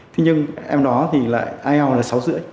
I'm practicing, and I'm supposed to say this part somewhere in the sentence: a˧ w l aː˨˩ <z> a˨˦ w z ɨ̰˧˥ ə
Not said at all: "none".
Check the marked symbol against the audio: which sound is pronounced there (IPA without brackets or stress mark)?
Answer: s